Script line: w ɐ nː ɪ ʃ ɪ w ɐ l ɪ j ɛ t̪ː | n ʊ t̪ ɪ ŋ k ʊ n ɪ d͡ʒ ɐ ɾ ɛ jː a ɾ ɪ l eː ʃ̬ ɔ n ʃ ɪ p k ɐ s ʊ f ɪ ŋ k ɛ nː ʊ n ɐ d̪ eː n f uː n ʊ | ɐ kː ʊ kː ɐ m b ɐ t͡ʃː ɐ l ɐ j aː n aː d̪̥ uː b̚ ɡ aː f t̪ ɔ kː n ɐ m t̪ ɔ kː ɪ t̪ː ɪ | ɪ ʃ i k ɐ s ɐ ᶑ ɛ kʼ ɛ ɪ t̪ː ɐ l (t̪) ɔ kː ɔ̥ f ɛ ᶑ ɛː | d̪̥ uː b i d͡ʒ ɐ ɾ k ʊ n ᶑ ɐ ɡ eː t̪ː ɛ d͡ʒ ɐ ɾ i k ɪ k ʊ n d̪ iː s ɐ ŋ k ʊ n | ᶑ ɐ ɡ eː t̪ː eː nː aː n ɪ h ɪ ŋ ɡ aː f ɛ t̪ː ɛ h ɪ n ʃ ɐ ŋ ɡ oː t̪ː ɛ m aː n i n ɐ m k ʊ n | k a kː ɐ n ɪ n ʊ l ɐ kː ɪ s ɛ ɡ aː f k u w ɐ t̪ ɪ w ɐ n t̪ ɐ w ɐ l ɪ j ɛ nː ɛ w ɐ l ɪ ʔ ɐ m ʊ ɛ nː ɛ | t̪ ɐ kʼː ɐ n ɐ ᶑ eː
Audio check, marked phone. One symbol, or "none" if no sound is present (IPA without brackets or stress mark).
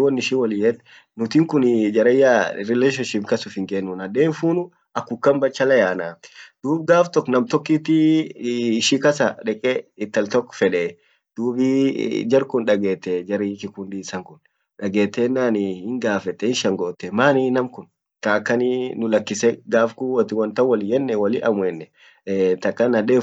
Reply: t̪